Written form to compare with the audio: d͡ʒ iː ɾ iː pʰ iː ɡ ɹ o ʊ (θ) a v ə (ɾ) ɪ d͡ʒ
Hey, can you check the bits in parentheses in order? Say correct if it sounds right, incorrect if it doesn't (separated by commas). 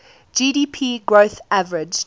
correct, incorrect